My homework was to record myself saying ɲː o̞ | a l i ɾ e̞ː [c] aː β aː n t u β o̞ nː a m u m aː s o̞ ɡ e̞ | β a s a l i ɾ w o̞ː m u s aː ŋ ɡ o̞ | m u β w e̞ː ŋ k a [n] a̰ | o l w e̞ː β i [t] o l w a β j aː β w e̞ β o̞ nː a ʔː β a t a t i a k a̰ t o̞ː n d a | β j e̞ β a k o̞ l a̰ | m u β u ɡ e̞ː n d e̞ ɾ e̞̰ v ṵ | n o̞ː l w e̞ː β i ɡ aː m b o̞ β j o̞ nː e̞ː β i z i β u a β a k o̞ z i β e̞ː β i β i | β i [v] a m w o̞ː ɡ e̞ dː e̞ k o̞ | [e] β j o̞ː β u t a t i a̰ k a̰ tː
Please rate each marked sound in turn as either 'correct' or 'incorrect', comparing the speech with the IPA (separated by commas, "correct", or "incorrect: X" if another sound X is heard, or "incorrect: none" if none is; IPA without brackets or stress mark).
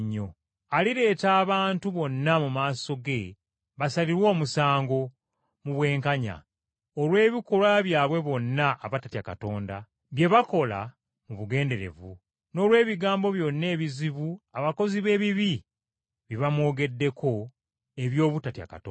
incorrect: t, incorrect: ɲ, incorrect: k, incorrect: β, correct